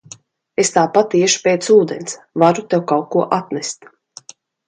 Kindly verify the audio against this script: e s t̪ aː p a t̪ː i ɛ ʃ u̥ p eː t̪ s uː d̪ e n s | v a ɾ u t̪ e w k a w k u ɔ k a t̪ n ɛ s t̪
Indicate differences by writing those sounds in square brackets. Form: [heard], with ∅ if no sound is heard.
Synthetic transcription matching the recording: e s t̪ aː p a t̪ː i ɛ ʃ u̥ p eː t̪ s uː d̪ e n s | v a ɾ u t̪ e w k a w k u ɔ [ʔ] a t̪ n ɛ s t̪